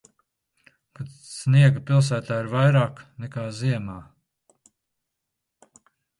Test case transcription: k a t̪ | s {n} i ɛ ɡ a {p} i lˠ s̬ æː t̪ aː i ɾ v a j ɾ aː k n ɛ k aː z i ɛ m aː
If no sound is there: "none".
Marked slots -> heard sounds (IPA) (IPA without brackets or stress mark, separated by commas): n, p